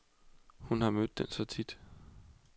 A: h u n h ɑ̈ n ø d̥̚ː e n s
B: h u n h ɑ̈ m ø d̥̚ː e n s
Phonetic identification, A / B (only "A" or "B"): B